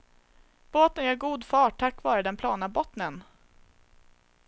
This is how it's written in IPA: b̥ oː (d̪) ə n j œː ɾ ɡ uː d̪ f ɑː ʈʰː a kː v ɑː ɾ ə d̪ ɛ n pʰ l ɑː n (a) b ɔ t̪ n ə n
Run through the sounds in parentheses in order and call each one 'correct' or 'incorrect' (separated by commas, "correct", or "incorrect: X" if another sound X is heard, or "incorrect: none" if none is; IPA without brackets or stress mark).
incorrect: t̪, correct